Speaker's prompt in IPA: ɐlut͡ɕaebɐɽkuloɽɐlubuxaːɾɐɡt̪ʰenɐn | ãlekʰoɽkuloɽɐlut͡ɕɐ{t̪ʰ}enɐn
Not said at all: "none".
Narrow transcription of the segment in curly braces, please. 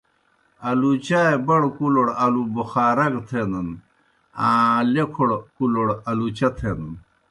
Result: t̪ʰ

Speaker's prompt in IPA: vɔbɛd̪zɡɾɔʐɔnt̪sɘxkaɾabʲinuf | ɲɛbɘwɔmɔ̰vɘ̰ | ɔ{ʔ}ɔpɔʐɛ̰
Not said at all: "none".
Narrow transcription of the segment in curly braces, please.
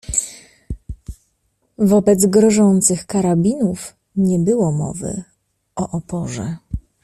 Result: ʔ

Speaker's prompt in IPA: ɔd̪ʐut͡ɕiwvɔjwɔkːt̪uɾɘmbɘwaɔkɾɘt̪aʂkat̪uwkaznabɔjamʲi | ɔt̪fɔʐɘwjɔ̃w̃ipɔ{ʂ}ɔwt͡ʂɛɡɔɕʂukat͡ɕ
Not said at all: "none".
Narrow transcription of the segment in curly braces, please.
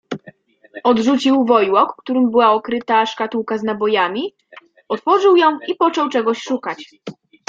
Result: t͡ʂ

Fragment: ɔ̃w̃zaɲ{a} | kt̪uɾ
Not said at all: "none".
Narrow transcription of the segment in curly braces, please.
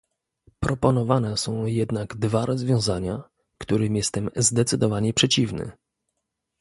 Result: a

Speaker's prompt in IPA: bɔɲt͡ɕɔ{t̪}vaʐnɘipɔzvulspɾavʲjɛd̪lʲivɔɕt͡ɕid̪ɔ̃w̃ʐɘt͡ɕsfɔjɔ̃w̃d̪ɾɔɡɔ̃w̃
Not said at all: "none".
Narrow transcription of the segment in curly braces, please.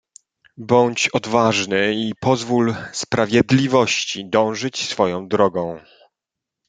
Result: d̪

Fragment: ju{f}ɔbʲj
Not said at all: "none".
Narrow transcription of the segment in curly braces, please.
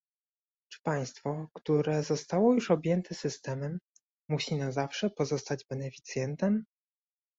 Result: ʂ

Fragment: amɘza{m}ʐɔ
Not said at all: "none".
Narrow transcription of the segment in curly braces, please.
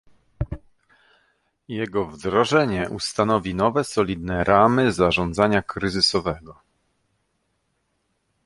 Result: none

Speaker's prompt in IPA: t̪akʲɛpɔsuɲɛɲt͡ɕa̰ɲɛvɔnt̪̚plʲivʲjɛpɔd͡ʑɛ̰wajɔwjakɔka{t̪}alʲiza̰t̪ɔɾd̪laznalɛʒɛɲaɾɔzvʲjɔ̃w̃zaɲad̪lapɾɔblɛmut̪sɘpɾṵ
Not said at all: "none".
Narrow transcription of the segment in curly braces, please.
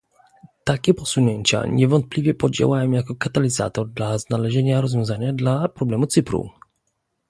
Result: t̪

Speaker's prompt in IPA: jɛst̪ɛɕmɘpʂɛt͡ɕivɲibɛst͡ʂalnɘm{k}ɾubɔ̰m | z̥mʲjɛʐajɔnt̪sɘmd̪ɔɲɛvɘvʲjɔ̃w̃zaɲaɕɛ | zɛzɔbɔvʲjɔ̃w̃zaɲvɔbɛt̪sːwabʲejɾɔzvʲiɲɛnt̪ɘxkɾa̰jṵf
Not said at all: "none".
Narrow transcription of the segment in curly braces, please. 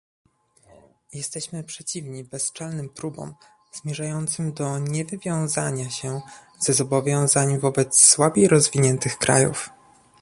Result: p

